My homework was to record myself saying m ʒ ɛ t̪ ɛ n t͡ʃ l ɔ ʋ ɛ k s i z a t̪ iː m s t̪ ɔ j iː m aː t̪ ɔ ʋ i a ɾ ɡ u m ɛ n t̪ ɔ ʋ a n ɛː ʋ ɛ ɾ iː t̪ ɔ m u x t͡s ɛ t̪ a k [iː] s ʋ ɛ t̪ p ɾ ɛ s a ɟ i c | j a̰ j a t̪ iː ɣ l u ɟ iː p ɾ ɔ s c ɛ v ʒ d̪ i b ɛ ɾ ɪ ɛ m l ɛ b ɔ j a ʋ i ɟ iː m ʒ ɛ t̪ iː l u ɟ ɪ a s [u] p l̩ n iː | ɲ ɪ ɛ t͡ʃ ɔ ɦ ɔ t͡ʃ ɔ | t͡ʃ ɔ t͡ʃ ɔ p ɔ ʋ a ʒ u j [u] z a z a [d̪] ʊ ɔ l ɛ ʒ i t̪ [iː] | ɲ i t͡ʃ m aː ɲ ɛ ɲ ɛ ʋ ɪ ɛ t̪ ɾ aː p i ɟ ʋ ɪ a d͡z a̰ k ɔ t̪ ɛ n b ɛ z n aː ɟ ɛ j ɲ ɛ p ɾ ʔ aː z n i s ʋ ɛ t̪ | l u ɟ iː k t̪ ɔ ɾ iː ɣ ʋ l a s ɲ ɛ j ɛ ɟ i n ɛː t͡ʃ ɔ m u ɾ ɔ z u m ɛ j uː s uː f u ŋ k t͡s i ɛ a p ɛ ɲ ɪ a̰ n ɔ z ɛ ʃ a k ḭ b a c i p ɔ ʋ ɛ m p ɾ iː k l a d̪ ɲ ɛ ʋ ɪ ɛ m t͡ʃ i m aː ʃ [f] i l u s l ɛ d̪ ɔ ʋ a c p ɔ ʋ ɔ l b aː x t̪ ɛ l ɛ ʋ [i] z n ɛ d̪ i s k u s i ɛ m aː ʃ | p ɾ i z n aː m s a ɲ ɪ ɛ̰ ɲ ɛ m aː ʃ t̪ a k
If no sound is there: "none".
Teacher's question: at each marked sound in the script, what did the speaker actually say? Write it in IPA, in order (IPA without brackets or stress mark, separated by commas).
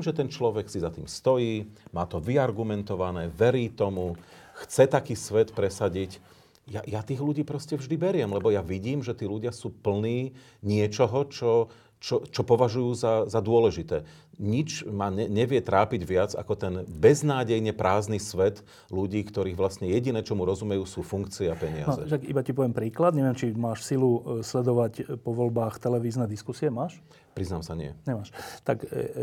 iː, uː, uː, d̪, ɛː, s, iː